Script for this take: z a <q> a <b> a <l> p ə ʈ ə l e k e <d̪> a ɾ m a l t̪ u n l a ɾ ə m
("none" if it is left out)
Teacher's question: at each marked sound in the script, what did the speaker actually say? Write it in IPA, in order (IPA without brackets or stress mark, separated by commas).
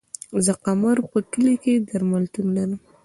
q, m, ɾ, d̪